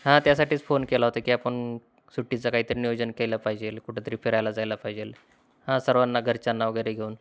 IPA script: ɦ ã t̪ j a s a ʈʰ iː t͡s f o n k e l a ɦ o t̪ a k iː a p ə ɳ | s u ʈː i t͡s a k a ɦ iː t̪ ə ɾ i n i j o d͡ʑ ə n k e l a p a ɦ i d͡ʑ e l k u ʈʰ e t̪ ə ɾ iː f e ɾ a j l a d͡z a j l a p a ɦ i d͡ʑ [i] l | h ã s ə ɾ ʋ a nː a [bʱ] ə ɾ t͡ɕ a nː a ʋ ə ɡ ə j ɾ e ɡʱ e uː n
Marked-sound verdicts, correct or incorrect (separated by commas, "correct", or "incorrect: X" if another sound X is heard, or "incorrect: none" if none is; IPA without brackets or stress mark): incorrect: e, incorrect: ɡʱ